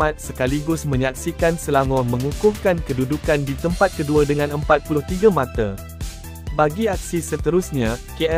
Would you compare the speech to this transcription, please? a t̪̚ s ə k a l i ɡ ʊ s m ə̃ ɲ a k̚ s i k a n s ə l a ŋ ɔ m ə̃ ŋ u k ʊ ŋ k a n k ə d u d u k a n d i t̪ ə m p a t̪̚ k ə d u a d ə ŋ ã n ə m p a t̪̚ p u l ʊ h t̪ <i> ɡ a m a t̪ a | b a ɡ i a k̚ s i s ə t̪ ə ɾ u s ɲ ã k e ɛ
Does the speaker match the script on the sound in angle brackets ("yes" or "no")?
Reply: yes